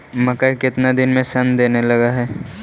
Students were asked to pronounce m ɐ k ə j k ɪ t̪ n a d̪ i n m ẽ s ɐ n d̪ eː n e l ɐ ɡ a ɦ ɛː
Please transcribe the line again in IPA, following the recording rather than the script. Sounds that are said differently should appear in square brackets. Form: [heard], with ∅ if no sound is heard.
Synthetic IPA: m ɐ k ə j k ɪ t̪ n a d̪ [ɪ] n m ẽ s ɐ n d̪ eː n e l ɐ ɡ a ɦ ɛː